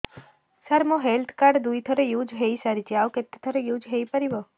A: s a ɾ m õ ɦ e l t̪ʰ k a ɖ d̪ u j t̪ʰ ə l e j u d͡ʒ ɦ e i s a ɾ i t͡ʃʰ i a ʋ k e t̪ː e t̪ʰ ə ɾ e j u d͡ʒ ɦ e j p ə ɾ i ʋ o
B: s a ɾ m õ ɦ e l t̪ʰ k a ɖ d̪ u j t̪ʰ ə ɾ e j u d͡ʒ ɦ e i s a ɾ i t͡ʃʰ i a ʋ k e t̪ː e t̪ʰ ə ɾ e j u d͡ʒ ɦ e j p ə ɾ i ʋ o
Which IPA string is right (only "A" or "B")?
B